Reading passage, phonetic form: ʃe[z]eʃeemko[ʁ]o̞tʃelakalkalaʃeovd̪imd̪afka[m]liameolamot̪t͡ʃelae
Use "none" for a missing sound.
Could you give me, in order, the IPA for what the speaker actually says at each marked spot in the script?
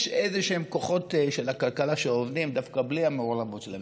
z, χ, b

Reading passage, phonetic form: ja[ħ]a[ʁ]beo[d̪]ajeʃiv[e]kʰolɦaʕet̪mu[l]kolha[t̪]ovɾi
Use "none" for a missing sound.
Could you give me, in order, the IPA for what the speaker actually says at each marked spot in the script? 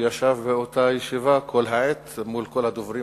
ʃ, v, t̪, a, l, d̪

